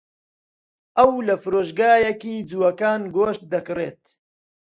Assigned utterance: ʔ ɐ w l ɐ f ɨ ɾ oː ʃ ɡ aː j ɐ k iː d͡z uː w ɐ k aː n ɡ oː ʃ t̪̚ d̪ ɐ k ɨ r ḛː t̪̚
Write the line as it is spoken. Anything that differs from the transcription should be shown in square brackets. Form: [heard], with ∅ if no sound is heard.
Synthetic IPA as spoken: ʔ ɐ w l ɐ f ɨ ɾ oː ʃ ɡ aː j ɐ k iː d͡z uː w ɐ k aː n ɡ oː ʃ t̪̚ d̪ ɐ k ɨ r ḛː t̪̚